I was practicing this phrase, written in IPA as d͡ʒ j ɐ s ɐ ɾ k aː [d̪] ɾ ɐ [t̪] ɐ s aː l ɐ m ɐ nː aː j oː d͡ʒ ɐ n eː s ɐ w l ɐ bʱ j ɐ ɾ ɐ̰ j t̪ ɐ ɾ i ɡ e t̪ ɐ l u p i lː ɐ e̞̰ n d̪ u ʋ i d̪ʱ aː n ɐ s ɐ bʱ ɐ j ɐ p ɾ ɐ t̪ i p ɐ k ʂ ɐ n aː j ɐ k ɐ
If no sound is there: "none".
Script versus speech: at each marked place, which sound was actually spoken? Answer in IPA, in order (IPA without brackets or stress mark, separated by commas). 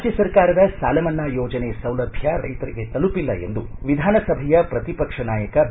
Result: none, d̪